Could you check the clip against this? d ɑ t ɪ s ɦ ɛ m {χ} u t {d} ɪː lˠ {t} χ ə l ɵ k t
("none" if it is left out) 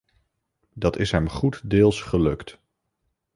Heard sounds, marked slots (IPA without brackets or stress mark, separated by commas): χ, d, s